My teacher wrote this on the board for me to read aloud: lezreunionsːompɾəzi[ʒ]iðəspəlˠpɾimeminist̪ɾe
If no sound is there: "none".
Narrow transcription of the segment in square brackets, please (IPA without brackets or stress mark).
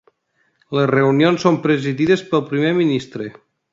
ð